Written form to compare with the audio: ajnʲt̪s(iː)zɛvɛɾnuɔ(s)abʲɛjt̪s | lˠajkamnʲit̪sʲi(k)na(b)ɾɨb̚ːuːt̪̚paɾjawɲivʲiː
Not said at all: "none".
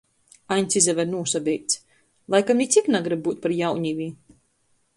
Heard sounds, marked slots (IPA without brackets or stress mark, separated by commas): i, s, k, ɡ